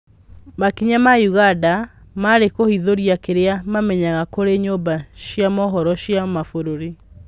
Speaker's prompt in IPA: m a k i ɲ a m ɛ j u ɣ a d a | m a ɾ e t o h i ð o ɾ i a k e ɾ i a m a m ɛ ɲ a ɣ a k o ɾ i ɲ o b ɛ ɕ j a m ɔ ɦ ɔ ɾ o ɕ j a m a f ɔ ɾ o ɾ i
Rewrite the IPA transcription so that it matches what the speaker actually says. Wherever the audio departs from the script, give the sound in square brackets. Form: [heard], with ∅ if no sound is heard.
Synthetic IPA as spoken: m a k i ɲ a m [a] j u ɣ a d a | m a ɾ e [k] o h i ð o ɾ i a k e ɾ [e] a m a m ɛ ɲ a ɣ a k o ɾ [e] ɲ o b [a] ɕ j a m ɔ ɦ ɔ ɾ [ɔ] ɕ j a m a f [o] ɾ o ɾ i